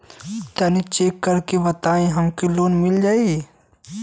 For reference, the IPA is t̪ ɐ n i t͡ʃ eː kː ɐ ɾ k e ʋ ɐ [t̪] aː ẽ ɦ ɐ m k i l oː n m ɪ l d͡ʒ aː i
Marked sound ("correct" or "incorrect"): correct